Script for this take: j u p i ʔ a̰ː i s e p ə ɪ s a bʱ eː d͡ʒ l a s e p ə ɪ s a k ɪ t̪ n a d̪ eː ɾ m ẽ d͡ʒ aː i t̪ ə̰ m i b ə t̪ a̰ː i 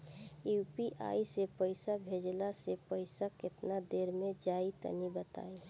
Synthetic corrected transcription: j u p i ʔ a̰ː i s e p ə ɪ s a bʱ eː d͡ʒ l a s e p ə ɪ s a k ɪ t̪ n a d̪ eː ɾ m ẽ d͡ʒ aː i t̪ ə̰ n i b ə t̪ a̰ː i